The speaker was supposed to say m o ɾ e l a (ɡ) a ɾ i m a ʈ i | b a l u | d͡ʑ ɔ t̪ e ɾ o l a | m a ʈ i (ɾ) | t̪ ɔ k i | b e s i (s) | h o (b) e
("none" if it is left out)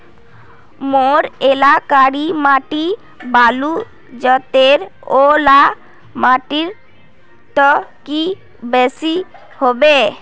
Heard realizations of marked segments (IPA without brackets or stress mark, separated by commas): k, ɾ, none, b